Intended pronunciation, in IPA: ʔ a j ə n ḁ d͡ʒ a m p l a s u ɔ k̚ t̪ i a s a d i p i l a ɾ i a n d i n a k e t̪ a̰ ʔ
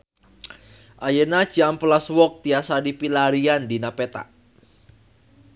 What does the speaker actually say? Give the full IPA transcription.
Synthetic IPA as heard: ʔ a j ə n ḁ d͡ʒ a m p l a s w ɔ k̚ t̪ i a s a d i p i l a ɾ i a n d i n a p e t̪ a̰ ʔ